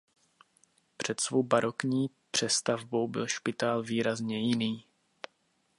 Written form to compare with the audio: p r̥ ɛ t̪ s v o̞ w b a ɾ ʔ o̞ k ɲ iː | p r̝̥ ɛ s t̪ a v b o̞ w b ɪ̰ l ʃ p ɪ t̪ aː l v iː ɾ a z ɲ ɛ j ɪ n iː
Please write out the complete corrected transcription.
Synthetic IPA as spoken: p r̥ ɛ t̪ s v o̞ w b a ɾ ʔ o̞ k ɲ iː | p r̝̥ ɛ s t̪ a v b o̞ w b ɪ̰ l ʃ p ɪ t̪ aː l v iː ɾ a z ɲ ɛ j ɪ n iː